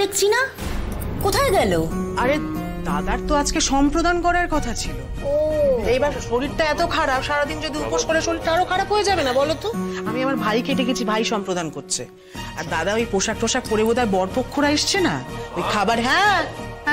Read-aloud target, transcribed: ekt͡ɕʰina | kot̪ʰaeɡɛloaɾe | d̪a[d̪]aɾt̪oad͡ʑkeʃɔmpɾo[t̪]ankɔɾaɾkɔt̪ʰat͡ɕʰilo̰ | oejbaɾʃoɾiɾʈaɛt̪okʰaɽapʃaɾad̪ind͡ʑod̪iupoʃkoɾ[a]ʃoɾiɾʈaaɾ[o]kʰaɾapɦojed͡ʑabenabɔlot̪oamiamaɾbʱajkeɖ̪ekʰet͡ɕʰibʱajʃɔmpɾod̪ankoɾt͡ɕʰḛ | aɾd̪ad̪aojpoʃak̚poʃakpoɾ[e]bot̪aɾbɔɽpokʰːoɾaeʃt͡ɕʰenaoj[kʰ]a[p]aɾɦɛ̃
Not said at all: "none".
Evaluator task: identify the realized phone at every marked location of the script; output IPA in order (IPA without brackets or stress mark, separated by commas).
d̪, d̪, e, o, e, kʰ, b